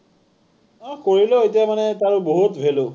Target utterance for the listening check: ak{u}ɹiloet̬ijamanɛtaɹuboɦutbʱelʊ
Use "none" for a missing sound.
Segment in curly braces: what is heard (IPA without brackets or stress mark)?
o